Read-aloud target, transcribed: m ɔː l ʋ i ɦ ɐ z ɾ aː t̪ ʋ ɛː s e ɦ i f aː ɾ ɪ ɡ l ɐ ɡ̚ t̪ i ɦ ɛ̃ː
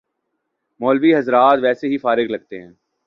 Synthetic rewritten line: m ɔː l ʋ i ɦ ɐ z ɾ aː t̪ ʋ ɛː s e ɦ i f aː ɾ ɪ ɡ l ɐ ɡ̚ t̪ e ɦ ɛ̃ː